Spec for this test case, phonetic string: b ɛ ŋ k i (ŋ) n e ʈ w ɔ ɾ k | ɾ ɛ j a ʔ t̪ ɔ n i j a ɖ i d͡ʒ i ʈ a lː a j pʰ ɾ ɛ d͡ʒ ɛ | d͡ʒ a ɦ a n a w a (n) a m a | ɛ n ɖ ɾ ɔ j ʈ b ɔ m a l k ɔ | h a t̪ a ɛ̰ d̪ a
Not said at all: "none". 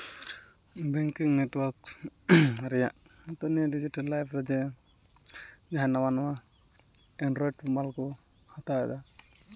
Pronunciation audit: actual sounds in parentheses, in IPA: ŋ, n

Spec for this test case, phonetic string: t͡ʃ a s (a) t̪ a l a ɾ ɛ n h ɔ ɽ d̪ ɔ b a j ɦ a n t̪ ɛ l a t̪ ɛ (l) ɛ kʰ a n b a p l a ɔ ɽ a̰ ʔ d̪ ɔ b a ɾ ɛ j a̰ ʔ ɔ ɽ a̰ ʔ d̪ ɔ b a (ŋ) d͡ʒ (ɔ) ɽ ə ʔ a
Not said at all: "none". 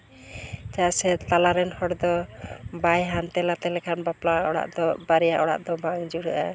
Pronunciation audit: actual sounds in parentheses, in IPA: ɛ, l, ŋ, u

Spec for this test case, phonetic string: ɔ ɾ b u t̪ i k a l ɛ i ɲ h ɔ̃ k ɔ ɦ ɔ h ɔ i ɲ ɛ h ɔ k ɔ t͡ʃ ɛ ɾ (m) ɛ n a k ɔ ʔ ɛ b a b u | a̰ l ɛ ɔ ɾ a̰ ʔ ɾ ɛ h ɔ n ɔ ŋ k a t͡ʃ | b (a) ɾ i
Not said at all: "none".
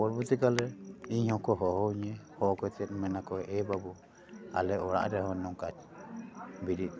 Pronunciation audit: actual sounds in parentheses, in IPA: m, i

